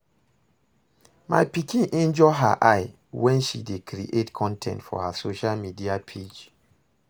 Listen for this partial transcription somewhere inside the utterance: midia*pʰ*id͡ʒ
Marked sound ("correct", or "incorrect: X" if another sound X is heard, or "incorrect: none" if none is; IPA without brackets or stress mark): correct